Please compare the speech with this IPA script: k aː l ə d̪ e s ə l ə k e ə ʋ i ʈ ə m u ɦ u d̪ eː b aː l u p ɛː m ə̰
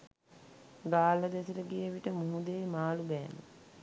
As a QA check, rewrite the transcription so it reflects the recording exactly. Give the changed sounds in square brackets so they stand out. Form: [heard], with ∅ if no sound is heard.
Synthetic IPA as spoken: [ɡ] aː l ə d̪ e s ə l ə [ɡ] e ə ʋ i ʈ ə m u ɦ u d̪ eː [m] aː l u [b] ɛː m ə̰